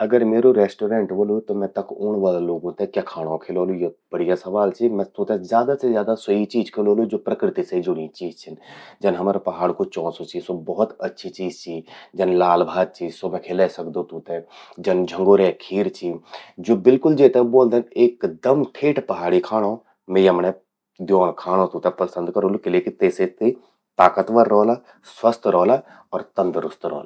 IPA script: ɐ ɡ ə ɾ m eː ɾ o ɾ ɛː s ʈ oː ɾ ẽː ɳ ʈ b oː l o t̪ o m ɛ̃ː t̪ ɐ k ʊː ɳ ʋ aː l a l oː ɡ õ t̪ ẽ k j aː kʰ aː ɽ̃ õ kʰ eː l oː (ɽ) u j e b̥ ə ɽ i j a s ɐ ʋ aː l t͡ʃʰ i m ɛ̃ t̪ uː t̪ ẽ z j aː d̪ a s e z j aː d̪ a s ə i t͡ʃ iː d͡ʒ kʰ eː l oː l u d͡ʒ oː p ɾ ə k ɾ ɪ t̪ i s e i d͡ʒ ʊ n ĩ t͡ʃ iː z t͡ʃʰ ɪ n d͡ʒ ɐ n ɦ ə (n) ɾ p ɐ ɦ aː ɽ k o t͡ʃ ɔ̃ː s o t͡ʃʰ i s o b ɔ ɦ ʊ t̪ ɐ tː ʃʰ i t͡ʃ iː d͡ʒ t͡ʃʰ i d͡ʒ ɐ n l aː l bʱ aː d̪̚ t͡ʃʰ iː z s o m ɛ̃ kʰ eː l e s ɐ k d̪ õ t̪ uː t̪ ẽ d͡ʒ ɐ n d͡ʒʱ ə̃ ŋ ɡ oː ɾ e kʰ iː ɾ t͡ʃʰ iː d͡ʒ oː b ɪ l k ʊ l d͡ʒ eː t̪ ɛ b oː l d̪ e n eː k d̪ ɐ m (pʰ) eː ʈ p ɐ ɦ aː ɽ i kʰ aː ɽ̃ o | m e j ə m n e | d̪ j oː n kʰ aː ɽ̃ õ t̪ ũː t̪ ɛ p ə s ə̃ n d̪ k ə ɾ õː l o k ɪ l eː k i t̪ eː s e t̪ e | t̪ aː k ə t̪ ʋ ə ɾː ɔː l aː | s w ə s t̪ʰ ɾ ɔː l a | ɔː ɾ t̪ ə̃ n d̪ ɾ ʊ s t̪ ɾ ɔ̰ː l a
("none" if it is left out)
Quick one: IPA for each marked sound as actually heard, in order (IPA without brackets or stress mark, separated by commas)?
l, m, ʈʰ